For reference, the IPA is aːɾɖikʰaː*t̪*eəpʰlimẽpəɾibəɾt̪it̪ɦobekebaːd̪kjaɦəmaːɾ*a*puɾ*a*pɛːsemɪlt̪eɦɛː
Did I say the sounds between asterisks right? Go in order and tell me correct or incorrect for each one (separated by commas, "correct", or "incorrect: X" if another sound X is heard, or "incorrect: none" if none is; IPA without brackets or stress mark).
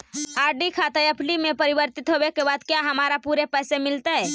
correct, correct, incorrect: e